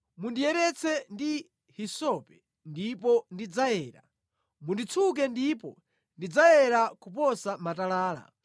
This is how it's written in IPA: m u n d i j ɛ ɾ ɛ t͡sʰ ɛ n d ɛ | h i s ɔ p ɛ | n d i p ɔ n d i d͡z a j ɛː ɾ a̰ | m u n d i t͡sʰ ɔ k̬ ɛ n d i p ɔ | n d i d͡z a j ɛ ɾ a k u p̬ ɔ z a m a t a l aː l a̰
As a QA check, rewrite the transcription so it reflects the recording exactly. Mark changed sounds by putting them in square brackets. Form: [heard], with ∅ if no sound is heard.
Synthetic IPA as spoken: m u n d i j ɛ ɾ ɛ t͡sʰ ɛ n d [i] | h i s ɔ p ɛ | n d i p ɔ n d i d͡z a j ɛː ɾ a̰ | m u n d i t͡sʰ [u] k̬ ɛ n d i p ɔ | n d i d͡z a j ɛ ɾ a k u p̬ ɔ [s] a m a t a l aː l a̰